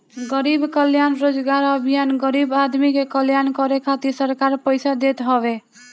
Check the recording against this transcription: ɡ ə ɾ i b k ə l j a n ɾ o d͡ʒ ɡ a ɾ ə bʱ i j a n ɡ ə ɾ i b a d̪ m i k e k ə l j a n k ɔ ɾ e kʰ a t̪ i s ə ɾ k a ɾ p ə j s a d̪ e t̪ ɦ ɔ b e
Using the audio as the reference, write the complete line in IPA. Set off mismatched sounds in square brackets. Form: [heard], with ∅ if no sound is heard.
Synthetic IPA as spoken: ɡ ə ɾ i b k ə l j a n ɾ o d͡ʒ ɡ a ɾ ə bʱ i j a n ɡ ə ɾ i b a d̪ m i k e k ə l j a n k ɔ ɾ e kʰ a t̪ i s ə ɾ k a ɾ p ə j s a d̪ e t̪ ɦ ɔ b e